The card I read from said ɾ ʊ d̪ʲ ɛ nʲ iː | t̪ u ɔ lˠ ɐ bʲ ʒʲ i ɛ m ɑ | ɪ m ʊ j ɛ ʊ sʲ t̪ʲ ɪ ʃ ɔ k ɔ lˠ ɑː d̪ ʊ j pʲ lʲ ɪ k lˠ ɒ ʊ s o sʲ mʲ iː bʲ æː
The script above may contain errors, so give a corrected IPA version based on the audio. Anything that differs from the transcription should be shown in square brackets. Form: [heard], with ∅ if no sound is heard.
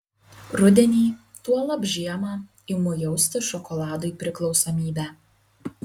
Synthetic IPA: ɾ ʊ d̪ʲ ɛ nʲ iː | t̪ u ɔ lˠ ɐ bʲ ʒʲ i ɛ m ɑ | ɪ m ʊ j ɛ ʊ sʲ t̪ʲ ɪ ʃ ɔ k ɔ lˠ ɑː d̪ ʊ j pʲ [ɾʲ] ɪ k lˠ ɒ ʊ s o [∅] mʲ iː bʲ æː